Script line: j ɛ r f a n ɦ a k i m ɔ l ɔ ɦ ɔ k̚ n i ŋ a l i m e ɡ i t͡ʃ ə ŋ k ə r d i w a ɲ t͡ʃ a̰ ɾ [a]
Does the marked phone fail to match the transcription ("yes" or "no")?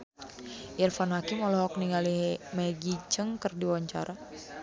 no